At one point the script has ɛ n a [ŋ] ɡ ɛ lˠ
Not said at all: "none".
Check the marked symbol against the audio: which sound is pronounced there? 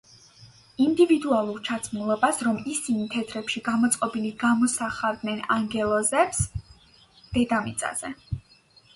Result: ŋ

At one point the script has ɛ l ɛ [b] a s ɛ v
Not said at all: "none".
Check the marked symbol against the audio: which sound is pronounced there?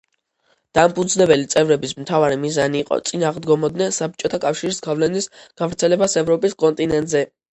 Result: b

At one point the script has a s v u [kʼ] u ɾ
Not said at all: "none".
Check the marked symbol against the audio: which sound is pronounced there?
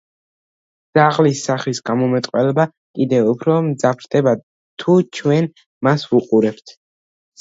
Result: qʼ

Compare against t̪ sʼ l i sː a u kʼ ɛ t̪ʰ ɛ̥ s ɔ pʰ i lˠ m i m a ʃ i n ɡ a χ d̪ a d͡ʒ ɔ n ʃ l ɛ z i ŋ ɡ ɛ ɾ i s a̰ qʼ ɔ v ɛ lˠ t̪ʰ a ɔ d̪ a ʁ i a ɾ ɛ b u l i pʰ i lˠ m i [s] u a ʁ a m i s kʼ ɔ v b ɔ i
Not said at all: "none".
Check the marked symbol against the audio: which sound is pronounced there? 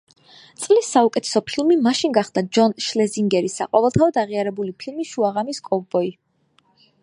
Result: ʃ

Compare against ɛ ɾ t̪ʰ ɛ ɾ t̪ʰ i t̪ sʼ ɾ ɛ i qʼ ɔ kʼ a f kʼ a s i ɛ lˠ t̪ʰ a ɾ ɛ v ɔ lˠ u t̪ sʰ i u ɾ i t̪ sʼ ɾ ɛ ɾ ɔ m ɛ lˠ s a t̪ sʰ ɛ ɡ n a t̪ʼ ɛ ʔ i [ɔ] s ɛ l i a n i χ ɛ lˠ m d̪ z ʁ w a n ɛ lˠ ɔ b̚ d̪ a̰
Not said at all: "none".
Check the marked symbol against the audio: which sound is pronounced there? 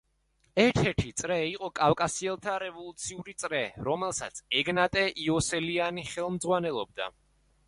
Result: ɔ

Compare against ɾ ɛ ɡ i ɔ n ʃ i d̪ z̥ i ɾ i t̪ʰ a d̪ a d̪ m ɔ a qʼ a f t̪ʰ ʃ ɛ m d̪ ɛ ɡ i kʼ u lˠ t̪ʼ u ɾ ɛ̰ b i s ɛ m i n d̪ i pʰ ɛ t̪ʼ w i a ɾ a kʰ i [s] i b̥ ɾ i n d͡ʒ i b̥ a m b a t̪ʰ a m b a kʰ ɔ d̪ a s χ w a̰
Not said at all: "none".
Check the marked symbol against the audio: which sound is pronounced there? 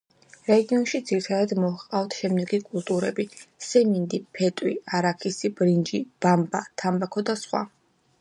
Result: s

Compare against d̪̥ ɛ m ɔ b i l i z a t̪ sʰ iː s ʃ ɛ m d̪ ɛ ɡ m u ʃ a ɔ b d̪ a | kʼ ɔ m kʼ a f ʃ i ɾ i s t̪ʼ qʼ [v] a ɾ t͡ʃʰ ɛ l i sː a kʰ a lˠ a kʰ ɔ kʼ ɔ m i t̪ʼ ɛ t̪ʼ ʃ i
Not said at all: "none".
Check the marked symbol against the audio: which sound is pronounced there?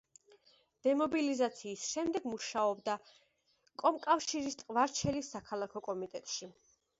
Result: v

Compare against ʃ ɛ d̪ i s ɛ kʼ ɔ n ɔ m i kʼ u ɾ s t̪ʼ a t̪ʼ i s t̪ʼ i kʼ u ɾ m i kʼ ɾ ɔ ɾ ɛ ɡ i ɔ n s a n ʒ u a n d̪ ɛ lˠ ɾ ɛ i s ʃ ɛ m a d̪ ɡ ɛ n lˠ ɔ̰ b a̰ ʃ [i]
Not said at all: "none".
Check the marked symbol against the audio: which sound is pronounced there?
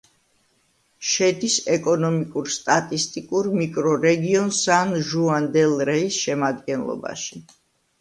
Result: i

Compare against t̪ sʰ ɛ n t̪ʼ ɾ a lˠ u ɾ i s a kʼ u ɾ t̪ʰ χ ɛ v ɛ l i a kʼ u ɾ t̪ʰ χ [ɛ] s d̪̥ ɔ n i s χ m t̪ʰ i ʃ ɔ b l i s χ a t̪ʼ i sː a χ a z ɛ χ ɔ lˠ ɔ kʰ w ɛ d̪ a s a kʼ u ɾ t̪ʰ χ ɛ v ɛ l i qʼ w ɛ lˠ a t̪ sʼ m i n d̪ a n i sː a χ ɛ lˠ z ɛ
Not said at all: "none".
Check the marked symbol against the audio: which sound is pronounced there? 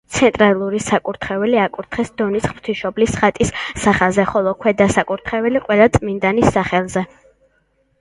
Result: ɛ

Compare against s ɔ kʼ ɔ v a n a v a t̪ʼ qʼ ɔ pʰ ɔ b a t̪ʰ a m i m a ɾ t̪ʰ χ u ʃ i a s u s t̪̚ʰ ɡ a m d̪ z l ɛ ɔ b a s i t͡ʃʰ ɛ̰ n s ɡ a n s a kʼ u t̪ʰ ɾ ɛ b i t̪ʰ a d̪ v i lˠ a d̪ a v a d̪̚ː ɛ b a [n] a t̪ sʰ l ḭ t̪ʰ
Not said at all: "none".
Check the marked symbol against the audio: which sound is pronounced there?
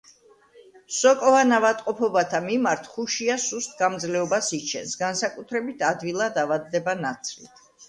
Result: n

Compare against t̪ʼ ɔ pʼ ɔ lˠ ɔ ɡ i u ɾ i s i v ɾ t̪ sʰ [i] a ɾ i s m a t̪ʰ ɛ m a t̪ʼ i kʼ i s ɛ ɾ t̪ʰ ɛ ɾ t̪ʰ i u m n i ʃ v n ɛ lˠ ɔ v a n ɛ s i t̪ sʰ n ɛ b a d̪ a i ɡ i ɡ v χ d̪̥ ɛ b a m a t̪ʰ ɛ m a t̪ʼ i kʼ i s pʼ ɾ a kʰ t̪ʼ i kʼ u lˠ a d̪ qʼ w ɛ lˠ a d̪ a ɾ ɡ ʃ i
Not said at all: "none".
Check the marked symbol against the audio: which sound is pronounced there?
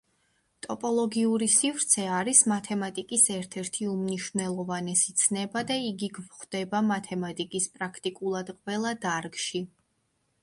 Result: ɛ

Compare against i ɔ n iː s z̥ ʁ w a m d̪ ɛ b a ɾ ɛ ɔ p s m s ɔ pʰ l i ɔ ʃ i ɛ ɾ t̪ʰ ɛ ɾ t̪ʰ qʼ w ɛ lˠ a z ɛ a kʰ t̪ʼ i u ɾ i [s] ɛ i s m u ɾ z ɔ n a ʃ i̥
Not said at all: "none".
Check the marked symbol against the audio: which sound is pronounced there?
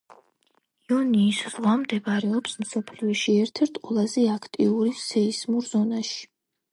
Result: s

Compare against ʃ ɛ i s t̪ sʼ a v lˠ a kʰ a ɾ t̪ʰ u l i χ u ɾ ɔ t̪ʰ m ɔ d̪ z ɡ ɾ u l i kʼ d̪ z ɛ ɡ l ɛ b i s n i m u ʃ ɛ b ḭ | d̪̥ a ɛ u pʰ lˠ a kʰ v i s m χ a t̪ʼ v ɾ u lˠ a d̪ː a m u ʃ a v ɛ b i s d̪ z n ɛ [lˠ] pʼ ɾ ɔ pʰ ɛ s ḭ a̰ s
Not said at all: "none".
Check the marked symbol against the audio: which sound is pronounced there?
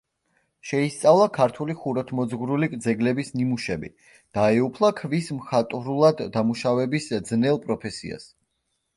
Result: lˠ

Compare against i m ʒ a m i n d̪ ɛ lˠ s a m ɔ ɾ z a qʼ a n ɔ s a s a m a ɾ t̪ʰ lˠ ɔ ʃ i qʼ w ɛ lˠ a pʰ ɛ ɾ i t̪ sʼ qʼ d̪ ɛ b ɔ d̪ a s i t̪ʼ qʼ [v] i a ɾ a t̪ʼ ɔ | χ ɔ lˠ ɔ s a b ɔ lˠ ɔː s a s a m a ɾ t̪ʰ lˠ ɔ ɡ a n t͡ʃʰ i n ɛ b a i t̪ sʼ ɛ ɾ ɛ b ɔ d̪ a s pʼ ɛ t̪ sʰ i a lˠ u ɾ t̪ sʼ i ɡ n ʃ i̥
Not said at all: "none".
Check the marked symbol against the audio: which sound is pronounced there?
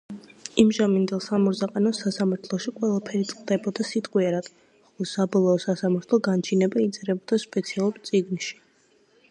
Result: w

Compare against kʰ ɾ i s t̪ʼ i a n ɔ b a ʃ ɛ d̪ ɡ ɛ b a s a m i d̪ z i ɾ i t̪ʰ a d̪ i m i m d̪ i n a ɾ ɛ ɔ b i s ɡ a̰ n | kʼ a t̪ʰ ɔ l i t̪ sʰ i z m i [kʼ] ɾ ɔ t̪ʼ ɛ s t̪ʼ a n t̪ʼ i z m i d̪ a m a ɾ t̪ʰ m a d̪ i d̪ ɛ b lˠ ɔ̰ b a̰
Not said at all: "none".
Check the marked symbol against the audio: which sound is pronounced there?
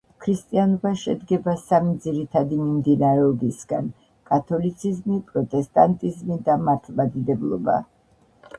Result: pʼ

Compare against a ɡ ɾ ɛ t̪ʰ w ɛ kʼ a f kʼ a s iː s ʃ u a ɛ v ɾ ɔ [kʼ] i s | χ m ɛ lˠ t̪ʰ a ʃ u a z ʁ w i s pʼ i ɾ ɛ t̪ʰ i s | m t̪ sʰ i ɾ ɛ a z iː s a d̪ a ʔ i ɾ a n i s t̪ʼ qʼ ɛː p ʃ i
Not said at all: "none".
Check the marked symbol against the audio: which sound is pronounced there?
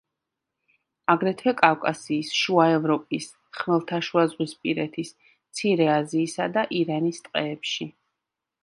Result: pʼ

